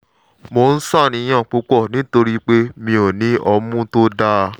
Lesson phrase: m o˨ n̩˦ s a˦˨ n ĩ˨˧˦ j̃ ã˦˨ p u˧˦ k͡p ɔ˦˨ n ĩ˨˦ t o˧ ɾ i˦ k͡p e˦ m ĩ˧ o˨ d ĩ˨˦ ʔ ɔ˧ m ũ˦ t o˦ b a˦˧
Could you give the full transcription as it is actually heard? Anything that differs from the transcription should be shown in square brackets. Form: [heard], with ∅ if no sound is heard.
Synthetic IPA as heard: m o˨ n̩˦ s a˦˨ n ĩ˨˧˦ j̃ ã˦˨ [k͡p] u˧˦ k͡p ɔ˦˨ n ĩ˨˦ t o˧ ɾ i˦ k͡p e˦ m ĩ˧ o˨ [n] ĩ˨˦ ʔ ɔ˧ m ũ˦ t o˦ [d] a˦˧